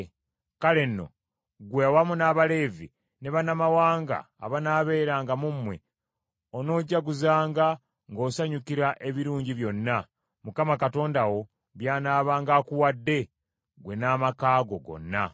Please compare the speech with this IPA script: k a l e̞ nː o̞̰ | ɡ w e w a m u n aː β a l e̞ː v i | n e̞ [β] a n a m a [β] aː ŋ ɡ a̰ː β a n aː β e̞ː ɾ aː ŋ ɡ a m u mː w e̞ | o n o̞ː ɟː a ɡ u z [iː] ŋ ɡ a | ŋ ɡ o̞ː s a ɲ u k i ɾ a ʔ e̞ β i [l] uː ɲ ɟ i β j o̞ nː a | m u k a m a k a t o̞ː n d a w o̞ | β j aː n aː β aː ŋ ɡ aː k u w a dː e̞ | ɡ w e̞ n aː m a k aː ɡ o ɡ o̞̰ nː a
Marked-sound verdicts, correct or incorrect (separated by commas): correct, incorrect, incorrect, incorrect